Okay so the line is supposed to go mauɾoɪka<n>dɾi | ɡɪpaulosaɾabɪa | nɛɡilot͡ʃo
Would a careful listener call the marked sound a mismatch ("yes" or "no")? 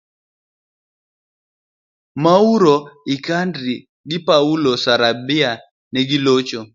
no